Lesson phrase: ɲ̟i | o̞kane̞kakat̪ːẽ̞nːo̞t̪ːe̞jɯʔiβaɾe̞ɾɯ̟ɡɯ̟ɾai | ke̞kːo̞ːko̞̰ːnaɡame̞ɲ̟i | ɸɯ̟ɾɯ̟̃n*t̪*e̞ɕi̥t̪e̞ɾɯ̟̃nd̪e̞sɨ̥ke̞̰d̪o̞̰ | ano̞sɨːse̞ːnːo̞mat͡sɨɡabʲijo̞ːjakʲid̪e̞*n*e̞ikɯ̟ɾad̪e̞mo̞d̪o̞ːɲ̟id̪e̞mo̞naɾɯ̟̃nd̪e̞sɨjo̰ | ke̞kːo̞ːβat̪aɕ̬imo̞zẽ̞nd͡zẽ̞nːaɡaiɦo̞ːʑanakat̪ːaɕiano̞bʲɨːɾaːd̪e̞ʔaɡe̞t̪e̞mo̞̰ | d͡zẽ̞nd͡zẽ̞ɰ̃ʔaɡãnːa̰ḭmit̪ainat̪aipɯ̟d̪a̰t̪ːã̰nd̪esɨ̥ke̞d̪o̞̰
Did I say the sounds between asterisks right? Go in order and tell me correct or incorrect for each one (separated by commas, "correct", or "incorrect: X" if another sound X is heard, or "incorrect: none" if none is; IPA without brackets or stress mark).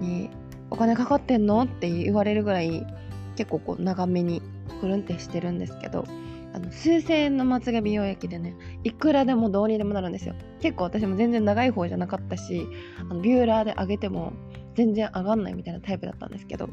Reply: correct, correct